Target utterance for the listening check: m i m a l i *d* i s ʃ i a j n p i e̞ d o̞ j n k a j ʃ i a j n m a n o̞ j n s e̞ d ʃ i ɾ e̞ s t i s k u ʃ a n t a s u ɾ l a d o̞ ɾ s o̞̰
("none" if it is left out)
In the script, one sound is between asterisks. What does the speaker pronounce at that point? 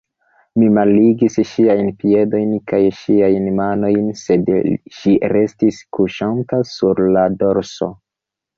ɡ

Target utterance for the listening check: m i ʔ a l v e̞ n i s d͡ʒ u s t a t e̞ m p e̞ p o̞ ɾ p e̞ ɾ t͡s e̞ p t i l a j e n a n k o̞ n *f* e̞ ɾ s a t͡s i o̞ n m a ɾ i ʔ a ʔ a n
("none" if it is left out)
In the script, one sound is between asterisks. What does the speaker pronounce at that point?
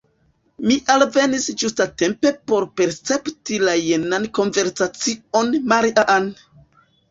v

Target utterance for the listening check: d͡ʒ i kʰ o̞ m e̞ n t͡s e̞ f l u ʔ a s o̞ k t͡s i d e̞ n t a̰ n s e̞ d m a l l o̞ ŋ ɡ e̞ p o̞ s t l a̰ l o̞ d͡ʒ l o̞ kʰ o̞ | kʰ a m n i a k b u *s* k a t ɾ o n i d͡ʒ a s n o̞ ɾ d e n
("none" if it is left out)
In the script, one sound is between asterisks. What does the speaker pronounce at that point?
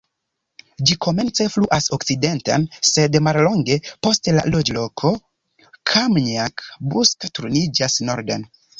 s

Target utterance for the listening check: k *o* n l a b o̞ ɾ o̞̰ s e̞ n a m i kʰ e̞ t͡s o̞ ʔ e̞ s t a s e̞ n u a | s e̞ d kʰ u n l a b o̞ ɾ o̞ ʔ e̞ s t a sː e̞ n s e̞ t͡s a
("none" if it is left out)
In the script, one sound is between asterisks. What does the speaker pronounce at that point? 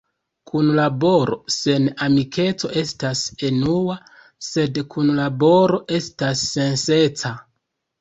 u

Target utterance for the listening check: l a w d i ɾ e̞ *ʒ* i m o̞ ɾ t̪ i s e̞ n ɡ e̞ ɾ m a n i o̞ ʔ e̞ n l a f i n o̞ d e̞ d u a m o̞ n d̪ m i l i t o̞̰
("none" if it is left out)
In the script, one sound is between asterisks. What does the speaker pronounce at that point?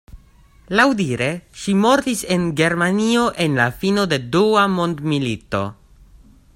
ʃ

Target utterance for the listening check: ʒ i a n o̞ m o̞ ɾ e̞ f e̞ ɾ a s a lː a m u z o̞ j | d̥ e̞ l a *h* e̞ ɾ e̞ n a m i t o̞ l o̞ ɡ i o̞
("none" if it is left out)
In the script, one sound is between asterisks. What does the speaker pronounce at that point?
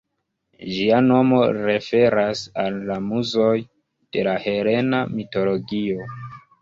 h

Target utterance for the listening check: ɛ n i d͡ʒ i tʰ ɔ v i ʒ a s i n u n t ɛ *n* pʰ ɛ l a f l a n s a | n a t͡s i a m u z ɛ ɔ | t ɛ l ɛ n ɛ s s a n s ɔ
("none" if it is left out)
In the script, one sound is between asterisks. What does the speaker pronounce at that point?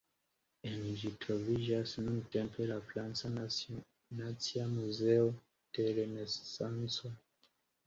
m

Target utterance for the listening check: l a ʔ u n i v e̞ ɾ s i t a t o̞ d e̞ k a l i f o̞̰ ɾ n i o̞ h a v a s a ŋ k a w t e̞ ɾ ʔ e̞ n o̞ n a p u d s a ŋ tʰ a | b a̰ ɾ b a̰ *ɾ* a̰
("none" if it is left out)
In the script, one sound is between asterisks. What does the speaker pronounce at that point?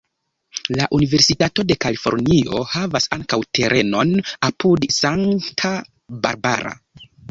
ɾ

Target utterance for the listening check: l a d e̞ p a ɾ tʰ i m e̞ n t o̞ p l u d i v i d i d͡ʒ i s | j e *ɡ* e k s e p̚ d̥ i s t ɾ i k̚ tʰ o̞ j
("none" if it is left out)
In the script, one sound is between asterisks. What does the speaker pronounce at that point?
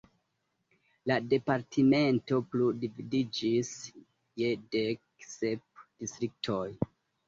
d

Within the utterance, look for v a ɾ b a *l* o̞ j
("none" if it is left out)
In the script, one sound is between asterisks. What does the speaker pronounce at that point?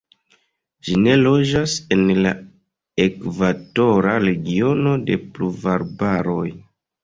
ɾ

